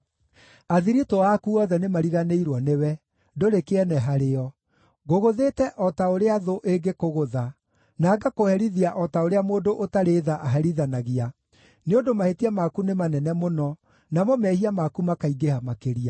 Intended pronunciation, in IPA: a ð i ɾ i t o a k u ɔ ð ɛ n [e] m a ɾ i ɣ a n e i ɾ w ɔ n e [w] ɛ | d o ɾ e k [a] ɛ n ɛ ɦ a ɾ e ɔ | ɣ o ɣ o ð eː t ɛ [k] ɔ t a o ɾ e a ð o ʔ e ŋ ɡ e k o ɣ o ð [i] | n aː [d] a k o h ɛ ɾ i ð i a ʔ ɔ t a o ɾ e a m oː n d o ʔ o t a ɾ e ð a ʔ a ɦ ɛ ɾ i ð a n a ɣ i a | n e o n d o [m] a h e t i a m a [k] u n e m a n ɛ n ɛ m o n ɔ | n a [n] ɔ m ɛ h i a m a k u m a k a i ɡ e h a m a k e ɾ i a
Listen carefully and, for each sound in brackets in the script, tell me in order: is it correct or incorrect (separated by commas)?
correct, correct, incorrect, incorrect, incorrect, incorrect, correct, correct, incorrect